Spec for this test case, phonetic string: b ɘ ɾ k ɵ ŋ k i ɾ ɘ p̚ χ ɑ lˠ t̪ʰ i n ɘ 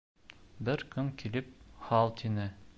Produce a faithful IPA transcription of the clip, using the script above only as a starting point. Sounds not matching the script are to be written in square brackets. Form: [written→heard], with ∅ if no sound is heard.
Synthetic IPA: b ɘ ɾ k ɵ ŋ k i [ɾ→l] ɘ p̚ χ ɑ lˠ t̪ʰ i n ɘ

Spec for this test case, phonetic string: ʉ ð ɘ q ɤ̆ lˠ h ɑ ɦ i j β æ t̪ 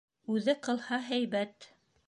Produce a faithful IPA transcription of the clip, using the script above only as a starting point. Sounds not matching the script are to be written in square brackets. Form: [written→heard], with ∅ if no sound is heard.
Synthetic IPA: ʉ ð ɘ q ɤ̆ lˠ h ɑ ɦ [i→æ] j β æ t̪

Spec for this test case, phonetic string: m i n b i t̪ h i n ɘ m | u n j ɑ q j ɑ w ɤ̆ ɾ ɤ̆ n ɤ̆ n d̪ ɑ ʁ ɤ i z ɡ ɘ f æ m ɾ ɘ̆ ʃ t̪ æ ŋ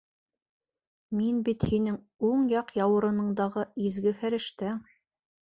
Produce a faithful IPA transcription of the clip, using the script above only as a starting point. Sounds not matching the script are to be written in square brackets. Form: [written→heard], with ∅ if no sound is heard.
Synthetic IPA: m i n b i t̪ h i n ɘ [m→ŋ] | u [n→ɴ] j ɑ q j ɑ w ɤ̆ ɾ ɤ̆ n ɤ̆ [n→ɴ] d̪ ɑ ʁ ɤ i z ɡ ɘ f æ [m→∅] ɾ ɘ̆ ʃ t̪ æ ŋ

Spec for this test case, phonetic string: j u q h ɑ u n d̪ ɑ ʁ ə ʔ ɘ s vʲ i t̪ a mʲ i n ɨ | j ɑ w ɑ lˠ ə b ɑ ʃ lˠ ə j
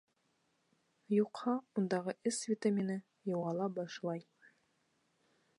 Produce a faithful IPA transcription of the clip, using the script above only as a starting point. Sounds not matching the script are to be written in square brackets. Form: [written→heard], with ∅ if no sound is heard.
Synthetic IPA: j u q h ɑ u n d̪ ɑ ʁ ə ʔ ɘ s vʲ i t̪ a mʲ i n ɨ | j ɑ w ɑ lˠ [ə→ɑ] b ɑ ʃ lˠ [ə→ɑ] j

